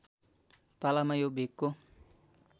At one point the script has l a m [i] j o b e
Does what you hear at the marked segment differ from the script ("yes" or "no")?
yes